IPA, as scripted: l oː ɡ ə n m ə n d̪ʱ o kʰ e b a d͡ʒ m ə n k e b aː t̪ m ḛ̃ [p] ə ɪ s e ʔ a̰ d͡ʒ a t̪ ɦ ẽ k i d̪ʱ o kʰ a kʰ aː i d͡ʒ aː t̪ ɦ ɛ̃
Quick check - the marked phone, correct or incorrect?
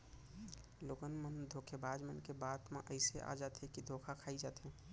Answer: incorrect